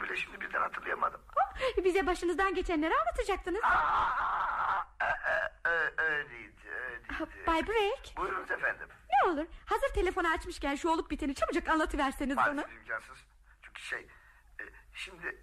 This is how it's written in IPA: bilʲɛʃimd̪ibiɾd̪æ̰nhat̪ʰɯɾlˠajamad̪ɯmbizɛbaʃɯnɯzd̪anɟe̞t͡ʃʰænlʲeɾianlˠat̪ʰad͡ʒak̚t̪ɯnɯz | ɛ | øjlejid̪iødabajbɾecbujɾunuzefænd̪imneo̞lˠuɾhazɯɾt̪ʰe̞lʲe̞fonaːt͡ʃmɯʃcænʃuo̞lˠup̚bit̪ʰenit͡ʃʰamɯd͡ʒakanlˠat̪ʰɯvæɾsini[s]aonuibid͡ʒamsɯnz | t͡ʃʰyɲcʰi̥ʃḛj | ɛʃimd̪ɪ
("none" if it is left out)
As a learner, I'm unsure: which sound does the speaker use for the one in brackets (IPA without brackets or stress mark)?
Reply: z